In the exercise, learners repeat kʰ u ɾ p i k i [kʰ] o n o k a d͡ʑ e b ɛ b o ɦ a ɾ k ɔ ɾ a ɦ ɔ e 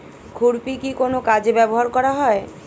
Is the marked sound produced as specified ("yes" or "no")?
no